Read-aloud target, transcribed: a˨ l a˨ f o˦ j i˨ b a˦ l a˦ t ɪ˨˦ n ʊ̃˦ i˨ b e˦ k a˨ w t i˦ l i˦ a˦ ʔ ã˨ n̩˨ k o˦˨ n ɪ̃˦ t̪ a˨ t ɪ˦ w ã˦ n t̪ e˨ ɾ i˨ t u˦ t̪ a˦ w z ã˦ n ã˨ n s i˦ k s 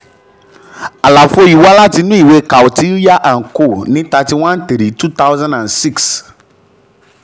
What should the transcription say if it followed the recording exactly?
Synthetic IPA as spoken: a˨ l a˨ f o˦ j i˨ w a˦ l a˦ t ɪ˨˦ n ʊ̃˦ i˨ w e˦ k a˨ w t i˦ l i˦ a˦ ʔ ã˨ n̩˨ k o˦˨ n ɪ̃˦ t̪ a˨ t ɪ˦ w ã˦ n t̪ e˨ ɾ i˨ t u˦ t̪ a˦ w z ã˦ n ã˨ n s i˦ k s

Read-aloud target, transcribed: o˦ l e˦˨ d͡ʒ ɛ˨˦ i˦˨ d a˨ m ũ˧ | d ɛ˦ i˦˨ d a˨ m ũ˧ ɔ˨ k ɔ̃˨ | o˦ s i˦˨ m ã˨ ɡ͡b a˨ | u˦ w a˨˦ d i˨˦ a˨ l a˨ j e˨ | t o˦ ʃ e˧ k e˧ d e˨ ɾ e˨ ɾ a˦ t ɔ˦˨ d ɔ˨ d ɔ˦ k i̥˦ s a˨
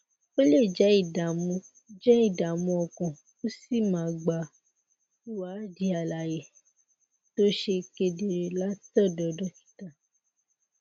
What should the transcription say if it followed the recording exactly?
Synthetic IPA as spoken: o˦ l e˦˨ d͡ʒ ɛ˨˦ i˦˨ d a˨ m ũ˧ | d͡ʒ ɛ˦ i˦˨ d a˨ m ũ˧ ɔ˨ k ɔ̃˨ | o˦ s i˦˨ m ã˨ ɡ͡b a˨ | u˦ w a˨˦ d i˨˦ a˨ l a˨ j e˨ | t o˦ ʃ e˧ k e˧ d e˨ ɾ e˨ l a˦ t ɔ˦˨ d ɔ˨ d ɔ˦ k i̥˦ t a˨

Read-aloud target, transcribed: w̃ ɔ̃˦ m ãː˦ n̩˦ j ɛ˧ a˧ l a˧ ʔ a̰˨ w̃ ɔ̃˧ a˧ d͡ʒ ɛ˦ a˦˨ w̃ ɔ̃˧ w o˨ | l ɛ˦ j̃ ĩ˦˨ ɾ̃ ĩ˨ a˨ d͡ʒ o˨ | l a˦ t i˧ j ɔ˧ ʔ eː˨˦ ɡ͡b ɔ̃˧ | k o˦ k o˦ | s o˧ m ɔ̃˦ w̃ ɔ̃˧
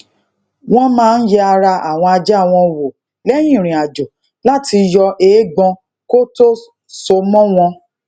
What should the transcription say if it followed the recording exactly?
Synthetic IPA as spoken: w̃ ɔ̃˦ m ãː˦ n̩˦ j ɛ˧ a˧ ɾ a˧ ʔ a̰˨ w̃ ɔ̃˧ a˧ d͡ʒ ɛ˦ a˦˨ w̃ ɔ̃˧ w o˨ | l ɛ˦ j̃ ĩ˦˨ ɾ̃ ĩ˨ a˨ d͡ʒ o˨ | l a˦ t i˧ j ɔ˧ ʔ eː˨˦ ɡ͡b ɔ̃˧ | k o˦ t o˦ | s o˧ m ɔ̃˦ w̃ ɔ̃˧

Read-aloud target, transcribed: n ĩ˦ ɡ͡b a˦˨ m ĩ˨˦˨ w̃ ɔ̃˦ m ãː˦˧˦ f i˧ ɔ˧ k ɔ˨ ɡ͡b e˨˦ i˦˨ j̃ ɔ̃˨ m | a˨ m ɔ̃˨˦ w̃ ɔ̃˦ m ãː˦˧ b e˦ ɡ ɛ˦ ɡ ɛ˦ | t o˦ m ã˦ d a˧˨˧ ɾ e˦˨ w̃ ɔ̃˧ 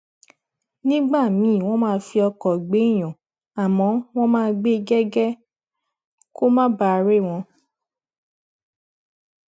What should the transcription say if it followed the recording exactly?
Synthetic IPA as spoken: n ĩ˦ ɡ͡b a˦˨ m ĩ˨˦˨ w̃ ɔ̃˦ m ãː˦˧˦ f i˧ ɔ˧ k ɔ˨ ɡ͡b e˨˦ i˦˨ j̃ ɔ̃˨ | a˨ m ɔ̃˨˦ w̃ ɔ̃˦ m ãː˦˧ ɡ͡b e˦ ɡ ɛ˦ ɡ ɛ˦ | k o˦ m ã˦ b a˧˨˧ ɾ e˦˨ w̃ ɔ̃˧

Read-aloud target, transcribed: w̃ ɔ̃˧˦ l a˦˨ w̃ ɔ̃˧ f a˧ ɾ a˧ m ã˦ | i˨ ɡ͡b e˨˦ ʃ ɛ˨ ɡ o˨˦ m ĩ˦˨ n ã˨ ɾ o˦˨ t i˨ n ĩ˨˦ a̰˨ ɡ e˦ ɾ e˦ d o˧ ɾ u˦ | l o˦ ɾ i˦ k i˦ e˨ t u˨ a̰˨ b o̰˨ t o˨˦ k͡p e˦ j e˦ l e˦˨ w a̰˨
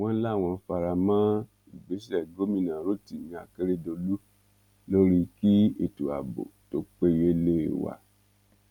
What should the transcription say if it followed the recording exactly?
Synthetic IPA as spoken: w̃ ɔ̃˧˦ l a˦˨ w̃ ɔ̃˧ f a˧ ɾ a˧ m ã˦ | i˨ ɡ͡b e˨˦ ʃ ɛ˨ ɡ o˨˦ m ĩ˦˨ n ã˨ ɾ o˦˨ t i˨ n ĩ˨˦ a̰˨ k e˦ ɾ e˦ d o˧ l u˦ | l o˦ ɾ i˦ k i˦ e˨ t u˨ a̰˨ b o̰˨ t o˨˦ k͡p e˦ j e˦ l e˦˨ w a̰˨

